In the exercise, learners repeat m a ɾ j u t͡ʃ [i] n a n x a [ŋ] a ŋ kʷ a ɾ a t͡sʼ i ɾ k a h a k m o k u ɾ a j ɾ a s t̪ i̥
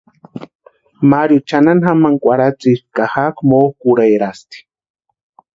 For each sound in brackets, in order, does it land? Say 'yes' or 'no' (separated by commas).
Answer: no, no